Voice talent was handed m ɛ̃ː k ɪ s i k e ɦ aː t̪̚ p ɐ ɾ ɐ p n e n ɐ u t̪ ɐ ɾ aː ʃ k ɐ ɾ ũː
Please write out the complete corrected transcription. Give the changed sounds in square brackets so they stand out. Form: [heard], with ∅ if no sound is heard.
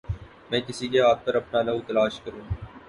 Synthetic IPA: m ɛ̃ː k ɪ s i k e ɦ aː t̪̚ p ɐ ɾ ɐ p n [a] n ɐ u t̪ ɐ [l] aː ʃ k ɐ ɾ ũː